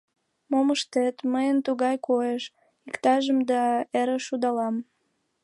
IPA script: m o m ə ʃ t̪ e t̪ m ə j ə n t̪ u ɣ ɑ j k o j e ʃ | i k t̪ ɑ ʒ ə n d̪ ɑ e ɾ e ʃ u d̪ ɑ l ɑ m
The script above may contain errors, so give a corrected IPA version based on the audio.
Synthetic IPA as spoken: m o m ə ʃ t̪ e t̪ m ə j ə n t̪ u ɣ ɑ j k o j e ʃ | i k t̪ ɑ ʒ ə m d̪ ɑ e ɾ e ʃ u d̪ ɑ l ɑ m